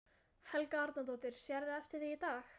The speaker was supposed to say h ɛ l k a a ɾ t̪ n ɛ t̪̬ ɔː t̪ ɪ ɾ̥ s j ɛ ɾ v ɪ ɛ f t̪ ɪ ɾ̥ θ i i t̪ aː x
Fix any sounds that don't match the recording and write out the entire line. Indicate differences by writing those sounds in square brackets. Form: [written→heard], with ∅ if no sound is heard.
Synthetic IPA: h ɛ l k a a ɾ t̪ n [ɛ→a] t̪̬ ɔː t̪ ɪ ɾ̥ s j ɛ ɾ [v→ð] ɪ ɛ f t̪ ɪ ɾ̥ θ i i t̪ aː x